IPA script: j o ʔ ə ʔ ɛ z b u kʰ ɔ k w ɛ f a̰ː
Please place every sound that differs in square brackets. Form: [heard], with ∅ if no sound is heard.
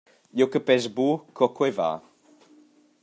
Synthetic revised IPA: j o [k] ə [p] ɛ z b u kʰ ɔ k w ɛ [v] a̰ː

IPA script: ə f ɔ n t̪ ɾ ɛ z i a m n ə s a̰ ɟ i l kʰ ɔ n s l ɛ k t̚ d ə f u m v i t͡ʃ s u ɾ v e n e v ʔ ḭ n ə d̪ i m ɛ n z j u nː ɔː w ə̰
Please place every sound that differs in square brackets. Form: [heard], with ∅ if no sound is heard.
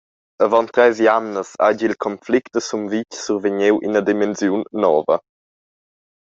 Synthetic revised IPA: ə [v] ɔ n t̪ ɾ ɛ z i a m n ə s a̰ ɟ i l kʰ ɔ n [f] l [i] k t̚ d ə [s] u m v i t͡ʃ s u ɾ v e [ɲ] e [w] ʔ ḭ n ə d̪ i m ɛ n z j u nː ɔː [v] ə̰

